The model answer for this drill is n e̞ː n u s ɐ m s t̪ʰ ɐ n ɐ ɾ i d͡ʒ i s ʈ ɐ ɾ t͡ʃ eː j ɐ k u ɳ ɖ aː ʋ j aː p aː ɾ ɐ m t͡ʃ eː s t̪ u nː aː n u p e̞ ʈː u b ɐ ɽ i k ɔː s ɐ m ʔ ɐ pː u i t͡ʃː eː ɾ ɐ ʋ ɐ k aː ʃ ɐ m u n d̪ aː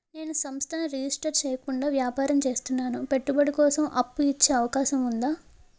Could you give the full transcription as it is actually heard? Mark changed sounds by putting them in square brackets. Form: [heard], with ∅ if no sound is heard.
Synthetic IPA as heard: n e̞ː n u s ɐ m s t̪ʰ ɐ n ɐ ɾ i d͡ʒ i s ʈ ɐ ɾ t͡ʃ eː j ɐ k u ɳ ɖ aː ʋ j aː p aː ɾ ɐ m t͡ʃ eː s t̪ u nː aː n u p e̞ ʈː u b ɐ ɽ i k ɔː s ɐ m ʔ ɐ pː u i t͡ʃː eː [∅] ɐ ʋ ɐ k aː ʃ ɐ m u n d̪ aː